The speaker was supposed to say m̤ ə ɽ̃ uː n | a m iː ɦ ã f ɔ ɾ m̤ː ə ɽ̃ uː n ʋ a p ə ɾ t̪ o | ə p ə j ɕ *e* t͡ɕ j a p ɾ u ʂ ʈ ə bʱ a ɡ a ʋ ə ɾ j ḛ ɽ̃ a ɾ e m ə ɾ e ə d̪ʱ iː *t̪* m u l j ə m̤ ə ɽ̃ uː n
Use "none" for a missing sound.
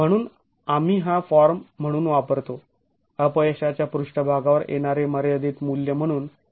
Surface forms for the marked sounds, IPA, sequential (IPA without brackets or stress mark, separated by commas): a, t̪